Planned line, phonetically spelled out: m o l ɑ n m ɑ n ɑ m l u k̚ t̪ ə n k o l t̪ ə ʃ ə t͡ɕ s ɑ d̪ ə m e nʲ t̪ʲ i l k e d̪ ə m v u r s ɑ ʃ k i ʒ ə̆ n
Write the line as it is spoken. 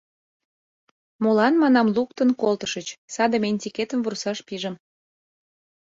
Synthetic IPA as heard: m o l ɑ n m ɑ n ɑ m l u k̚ t̪ ə n k o l t̪ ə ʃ ə t͡ɕ s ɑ d̪ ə m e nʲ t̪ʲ i k e t̪ ə m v u r s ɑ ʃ p i ʒ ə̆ m